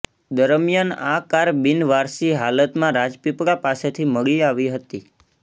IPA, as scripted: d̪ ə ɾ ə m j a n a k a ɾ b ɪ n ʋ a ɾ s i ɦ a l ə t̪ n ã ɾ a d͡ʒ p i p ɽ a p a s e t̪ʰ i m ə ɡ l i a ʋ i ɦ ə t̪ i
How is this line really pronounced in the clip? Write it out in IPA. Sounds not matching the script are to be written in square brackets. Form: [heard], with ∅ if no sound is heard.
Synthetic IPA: d̪ ə ɾ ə m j a n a k a ɾ b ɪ n ʋ a ɾ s i ɦ a l ə t̪ [m] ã ɾ a d͡ʒ p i p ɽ a p a s e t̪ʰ i m ə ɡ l i a ʋ i ɦ ə t̪ i